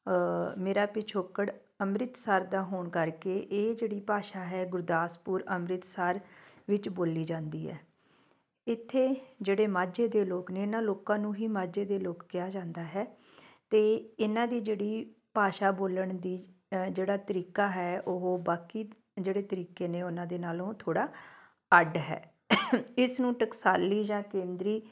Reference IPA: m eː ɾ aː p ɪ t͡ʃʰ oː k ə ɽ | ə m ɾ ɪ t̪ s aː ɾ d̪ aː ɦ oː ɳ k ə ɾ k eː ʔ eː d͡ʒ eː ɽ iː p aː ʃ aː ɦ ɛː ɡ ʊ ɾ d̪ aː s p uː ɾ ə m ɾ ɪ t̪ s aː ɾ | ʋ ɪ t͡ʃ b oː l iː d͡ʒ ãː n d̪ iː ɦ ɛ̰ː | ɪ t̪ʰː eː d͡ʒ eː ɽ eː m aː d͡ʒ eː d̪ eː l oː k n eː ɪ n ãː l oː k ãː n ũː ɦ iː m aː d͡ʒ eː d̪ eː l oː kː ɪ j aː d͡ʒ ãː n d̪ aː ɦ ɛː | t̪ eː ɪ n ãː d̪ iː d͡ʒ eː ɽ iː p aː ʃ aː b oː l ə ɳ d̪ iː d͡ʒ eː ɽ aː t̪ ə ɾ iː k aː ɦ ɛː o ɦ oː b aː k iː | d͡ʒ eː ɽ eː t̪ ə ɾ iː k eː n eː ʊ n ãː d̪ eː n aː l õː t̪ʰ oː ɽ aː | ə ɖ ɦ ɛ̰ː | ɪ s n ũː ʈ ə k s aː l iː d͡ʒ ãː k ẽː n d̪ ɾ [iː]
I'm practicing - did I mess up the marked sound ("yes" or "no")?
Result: no